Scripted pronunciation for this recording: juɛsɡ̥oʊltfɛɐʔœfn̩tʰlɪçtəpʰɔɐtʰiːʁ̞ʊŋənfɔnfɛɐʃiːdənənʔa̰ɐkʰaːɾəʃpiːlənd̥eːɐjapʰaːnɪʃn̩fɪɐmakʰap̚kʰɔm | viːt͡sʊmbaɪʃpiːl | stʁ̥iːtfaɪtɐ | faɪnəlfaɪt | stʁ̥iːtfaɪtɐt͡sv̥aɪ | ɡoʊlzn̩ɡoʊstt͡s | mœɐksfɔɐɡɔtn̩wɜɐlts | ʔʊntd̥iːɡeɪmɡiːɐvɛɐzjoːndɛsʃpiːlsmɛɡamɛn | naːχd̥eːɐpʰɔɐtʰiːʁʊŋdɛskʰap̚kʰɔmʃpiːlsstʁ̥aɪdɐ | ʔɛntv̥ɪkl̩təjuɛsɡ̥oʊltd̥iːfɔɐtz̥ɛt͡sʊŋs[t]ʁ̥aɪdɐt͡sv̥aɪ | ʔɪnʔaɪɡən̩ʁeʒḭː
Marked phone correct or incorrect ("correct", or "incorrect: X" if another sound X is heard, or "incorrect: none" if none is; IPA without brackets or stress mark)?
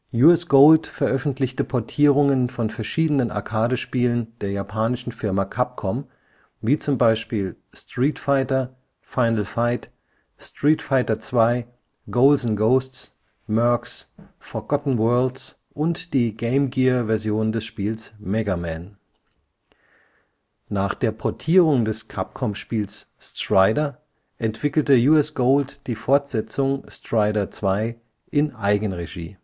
correct